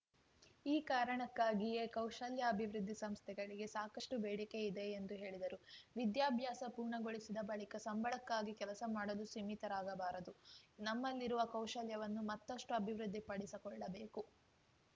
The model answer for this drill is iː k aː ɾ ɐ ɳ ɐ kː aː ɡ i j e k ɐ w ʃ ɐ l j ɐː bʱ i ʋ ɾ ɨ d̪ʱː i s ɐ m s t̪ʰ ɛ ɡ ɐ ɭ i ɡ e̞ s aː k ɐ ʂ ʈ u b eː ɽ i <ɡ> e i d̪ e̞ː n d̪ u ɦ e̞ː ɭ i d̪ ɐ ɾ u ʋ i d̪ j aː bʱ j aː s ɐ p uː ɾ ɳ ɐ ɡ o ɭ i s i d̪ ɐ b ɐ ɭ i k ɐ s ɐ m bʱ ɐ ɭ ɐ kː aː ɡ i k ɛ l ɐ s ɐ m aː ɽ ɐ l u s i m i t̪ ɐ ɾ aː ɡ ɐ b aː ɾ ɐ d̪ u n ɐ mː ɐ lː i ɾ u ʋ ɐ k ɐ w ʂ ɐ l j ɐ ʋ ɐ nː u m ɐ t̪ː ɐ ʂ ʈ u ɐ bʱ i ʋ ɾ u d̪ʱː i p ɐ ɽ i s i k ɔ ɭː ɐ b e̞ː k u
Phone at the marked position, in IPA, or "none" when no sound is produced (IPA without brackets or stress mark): k